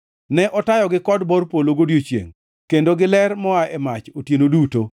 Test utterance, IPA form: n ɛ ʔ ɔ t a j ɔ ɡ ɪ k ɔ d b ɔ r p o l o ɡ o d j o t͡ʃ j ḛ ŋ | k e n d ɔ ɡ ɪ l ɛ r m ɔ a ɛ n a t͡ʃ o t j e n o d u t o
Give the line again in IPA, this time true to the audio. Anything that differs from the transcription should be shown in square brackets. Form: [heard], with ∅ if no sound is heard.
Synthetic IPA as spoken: n ɛ ʔ ɔ t a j ɔ ɡ ɪ k ɔ d b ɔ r p o l o ɡ o d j o t͡ʃ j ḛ ŋ | k e n d [o] ɡ ɪ l ɛ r m ɔ a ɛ [m] a t͡ʃ o t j e n o d u t o